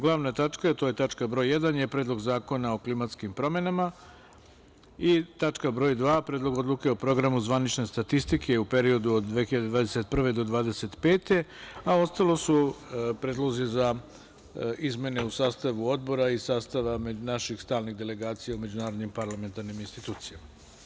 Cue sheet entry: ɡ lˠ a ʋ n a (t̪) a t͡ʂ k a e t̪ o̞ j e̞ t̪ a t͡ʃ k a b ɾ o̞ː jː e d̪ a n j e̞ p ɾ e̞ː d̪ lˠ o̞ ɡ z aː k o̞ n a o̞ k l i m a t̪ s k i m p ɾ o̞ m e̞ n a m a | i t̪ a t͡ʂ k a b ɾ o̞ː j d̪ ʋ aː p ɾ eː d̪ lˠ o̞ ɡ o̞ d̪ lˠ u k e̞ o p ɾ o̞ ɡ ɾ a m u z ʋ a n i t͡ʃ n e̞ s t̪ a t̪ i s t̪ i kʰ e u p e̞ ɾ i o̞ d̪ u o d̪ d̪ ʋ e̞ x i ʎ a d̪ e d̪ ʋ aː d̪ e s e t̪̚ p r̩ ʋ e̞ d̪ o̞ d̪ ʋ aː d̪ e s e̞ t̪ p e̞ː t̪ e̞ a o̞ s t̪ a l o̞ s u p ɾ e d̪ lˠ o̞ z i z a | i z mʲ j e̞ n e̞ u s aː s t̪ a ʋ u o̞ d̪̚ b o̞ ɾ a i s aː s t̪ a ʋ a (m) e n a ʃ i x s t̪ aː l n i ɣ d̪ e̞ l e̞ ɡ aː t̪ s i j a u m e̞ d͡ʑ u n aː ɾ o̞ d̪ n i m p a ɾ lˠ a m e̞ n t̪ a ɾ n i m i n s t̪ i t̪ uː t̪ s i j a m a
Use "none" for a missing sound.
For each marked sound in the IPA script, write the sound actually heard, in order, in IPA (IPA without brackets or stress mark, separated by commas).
t̪, m